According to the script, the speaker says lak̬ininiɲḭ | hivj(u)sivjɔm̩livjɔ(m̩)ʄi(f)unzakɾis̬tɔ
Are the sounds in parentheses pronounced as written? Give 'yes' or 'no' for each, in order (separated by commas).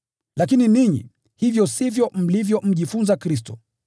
no, yes, yes